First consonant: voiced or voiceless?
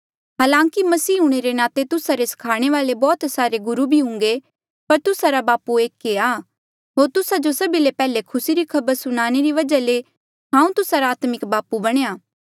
voiced